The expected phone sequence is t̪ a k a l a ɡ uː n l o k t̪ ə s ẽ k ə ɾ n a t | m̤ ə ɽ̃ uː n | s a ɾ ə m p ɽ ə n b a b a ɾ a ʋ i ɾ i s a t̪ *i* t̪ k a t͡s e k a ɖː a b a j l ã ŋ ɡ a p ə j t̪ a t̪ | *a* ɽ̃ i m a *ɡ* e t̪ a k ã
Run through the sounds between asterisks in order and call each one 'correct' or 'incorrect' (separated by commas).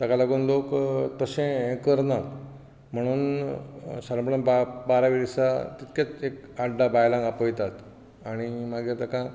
correct, correct, correct